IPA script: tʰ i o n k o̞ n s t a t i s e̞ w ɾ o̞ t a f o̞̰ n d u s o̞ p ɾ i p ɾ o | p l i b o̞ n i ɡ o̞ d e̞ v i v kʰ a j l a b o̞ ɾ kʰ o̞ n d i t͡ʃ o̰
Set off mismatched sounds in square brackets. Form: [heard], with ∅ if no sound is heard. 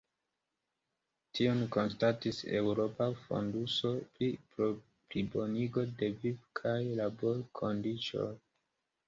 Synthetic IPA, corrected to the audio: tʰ i o n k o̞ n s t a t i s e̞ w ɾ o̞ [p] a f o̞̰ n d u s o̞ p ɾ i p ɾ o | p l i b o̞ n i ɡ o̞ d e̞ v i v kʰ a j l a b o̞ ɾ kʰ o̞ n d i t͡ʃ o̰